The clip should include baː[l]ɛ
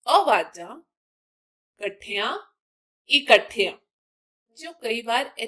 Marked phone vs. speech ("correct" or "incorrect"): incorrect